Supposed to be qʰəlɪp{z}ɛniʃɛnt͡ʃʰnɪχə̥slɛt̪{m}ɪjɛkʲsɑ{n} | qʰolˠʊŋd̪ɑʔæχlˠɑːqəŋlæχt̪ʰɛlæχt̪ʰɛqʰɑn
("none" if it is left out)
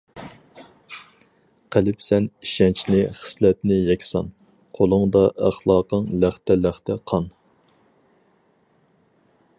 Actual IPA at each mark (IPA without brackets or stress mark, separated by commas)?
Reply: s, n, n